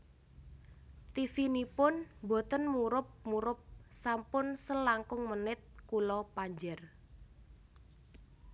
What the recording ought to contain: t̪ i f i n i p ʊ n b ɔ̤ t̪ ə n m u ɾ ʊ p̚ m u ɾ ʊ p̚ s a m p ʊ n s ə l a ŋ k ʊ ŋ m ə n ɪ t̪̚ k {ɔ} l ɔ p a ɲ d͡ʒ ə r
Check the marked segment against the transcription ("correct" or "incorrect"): incorrect